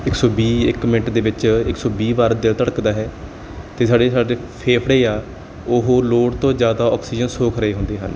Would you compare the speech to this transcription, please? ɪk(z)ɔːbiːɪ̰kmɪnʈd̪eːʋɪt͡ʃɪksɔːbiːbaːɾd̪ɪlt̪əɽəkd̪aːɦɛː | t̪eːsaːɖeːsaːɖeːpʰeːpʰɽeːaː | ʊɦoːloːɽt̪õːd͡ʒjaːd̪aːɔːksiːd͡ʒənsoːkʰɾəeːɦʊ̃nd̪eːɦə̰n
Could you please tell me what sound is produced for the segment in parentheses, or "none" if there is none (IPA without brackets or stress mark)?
s